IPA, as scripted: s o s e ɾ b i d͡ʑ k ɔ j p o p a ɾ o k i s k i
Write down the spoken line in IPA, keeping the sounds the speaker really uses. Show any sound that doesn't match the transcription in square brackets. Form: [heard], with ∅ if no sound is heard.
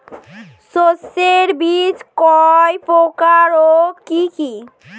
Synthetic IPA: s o s e ɾ b i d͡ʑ k ɔ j p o [k] a ɾ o k i [∅] k i